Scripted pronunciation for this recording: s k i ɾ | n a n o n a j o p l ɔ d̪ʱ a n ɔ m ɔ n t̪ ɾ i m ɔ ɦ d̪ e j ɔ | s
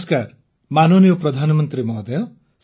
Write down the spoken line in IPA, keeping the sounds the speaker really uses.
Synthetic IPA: s k a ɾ | m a n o n i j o p ɾ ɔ d̪ʱ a n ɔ m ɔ n t̪ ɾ i m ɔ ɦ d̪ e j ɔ | s